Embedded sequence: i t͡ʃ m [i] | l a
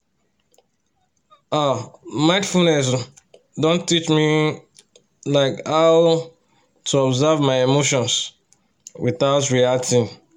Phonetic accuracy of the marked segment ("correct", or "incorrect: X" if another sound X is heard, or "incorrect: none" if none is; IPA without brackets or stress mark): correct